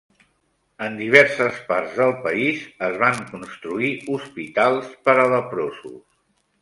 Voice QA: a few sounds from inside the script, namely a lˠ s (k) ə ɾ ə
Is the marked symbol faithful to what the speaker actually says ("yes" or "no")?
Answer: no